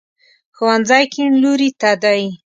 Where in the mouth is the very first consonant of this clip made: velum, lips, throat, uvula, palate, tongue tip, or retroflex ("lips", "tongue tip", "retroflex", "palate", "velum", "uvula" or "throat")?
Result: velum